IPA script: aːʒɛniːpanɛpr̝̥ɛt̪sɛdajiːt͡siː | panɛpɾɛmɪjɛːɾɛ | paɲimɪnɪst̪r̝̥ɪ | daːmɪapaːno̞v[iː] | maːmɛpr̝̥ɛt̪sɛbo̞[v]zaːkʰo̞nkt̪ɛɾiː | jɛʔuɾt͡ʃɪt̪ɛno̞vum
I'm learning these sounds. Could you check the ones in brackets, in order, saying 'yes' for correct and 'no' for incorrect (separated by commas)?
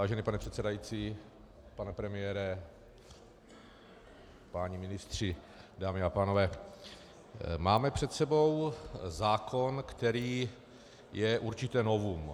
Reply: no, no